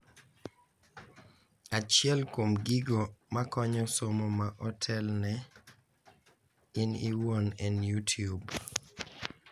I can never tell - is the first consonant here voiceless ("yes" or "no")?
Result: yes